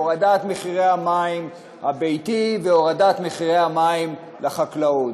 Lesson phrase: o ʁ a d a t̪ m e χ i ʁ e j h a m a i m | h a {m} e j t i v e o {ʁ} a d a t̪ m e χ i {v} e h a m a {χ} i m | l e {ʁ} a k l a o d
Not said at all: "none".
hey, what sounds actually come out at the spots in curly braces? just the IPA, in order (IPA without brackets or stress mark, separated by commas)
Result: b, ʁ, ʁ, none, χ